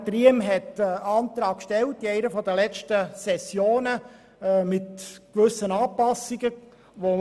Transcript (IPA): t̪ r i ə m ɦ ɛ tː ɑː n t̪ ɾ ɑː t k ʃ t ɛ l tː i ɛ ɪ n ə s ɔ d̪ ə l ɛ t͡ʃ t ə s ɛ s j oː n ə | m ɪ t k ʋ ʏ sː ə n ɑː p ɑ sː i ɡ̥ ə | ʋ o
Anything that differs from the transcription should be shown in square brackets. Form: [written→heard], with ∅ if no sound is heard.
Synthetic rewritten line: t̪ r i ə m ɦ ɛ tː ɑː n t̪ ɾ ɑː [t→k] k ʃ t ɛ l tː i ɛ ɪ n ə [s→f] ɔ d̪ ə l ɛ t͡ʃ t ə s ɛ s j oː n ə | m ɪ t k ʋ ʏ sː ə n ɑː p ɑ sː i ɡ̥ ə | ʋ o